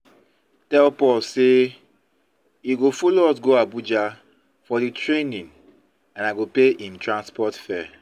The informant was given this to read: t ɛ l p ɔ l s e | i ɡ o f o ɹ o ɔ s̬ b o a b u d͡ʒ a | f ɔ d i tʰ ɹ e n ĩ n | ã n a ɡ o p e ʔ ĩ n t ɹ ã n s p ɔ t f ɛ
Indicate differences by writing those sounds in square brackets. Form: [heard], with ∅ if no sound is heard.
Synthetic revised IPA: t ɛ l p ɔ l s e | i ɡ o f o [l] o ɔ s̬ [ɡ] o a b u d͡ʒ a | f ɔ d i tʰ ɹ e n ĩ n | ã n a ɡ o p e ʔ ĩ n t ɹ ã n s p ɔ t f ɛ